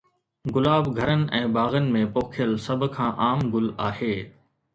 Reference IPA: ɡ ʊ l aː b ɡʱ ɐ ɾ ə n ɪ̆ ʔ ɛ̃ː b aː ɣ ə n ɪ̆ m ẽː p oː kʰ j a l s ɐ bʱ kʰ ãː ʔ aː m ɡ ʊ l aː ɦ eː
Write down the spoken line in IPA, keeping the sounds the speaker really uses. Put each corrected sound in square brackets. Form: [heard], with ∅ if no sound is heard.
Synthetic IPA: ɡ ʊ l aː b ɡʱ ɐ ɾ ə n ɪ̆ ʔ ɛ̃ː b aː ɣ ə n ɪ̆ m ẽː p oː kʰ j [ə] l s ɐ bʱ kʰ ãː ʔ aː m ɡ ʊ l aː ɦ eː